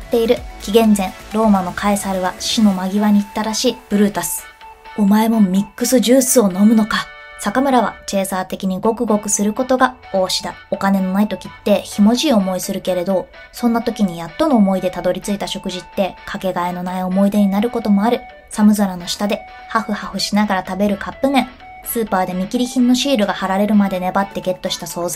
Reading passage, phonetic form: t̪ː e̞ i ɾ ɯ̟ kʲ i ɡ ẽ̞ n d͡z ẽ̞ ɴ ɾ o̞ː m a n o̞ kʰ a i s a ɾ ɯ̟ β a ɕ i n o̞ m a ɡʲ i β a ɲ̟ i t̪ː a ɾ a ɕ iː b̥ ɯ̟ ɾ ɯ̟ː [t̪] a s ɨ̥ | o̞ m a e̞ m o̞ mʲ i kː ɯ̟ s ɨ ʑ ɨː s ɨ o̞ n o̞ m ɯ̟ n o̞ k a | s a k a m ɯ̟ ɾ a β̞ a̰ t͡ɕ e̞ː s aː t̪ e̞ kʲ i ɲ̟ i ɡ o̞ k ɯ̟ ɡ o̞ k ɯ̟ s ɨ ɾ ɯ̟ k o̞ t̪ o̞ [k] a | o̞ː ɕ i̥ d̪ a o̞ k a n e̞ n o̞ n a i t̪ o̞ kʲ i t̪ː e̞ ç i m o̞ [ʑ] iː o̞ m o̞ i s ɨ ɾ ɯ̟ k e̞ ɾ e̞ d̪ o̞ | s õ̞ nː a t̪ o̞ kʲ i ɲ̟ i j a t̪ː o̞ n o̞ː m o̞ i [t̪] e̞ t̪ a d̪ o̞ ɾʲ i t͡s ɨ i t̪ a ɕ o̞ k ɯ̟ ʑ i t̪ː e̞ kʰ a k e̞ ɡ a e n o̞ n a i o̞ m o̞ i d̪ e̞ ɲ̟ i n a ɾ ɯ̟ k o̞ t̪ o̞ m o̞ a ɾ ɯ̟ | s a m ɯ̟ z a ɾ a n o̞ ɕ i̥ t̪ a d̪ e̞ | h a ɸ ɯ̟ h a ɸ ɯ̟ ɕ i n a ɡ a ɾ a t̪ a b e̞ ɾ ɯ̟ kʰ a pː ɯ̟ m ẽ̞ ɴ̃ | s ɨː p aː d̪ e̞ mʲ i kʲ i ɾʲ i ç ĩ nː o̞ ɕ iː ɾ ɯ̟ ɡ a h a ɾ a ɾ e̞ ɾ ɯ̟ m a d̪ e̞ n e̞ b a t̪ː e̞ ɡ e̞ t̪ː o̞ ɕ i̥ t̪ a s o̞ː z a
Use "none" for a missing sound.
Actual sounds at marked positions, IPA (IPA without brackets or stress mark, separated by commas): t̪, ɡ, ʑ, d̪